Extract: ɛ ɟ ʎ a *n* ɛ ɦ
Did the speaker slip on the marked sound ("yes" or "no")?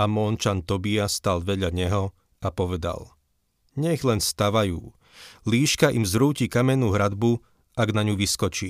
yes